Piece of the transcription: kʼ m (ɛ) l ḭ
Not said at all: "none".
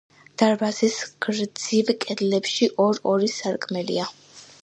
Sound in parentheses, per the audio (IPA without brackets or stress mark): ɛ